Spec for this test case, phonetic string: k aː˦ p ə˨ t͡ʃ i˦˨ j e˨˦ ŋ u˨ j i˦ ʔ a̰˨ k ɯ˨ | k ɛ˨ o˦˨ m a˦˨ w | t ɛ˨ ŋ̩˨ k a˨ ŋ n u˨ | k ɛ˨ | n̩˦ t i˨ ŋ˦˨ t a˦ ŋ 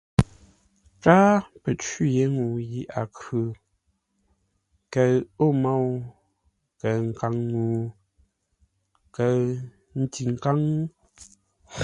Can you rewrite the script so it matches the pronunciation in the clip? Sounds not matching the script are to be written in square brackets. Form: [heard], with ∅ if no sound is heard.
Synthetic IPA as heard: k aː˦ p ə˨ t͡ʃ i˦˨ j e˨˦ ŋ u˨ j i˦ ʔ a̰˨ k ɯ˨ | k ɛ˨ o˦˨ m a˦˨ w | [k] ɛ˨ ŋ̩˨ k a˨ ŋ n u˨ | k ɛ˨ | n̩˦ t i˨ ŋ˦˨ [k] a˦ ŋ